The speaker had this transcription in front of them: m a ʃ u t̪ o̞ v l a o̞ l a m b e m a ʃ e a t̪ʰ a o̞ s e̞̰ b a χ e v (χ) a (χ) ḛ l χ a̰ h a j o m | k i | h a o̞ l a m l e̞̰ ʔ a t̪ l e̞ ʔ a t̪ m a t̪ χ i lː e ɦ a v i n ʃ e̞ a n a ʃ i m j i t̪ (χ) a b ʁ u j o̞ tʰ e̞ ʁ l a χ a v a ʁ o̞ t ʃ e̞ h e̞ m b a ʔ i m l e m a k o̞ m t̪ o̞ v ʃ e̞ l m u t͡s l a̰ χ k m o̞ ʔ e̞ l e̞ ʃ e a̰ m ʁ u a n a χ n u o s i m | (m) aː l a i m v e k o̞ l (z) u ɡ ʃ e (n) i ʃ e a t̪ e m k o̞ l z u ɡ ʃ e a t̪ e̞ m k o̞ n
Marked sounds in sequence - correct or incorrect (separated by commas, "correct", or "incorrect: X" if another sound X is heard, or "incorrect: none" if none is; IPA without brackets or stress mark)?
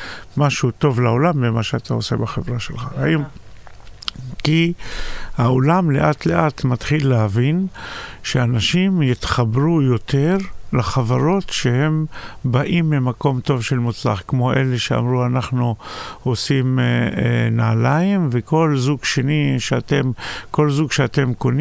incorrect: ʁ, incorrect: ʃ, correct, incorrect: n, correct, correct